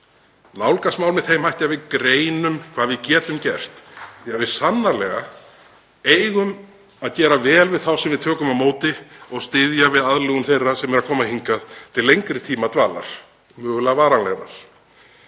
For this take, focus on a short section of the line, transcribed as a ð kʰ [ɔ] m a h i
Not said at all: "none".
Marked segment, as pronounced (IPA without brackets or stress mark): ɔː